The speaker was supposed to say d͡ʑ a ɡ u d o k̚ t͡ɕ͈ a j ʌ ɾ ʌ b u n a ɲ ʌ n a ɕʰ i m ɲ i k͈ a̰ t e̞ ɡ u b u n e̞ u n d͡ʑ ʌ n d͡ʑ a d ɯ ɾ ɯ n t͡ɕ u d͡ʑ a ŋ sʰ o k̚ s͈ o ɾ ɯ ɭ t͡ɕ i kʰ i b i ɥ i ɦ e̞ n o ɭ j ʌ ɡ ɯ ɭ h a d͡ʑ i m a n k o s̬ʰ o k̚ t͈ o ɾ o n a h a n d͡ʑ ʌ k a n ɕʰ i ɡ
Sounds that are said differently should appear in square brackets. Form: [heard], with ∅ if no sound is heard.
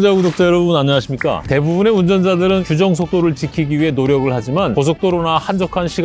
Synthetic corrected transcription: d͡ʑ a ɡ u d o k̚ t͡ɕ͈ a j ʌ ɾ ʌ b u n a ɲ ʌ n a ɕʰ i m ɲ i k͈ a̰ t e̞ [b] u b u n e̞ u n d͡ʑ ʌ n d͡ʑ a d ɯ ɾ ɯ n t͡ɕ u d͡ʑ [ʌ] ŋ sʰ o k̚ [t͈] o ɾ ɯ ɭ t͡ɕ i kʰ i [ɡ] i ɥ i ɦ e̞ n o [ɾ] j ʌ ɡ ɯ ɭ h a d͡ʑ i m a n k o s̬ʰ o k̚ t͈ o ɾ o n a h a n d͡ʑ ʌ [kʰ] a n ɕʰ i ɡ